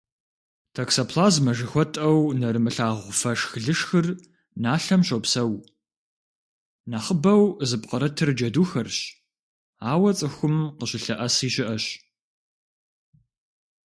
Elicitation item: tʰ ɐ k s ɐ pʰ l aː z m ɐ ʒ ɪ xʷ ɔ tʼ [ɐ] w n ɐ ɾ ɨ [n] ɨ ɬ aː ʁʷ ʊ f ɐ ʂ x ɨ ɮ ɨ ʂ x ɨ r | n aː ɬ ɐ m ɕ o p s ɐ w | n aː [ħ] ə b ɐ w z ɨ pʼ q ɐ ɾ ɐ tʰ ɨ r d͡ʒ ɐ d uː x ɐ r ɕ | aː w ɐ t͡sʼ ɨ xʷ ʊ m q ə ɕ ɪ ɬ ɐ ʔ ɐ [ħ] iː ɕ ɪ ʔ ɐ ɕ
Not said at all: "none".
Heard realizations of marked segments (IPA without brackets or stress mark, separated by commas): ɐ, m, χ, s